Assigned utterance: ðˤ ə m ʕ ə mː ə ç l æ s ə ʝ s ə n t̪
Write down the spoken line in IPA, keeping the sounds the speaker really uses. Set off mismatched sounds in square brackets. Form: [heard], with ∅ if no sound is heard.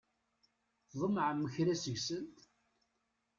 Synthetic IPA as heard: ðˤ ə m ʕ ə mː ə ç [ɾ] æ s ə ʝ s ə n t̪

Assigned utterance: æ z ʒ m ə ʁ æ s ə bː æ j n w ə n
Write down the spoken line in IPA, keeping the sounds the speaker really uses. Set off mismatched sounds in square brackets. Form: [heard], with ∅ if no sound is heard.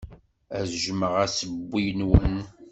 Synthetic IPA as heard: æ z ʒ m ə ʁ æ s ə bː [i] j n w ə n

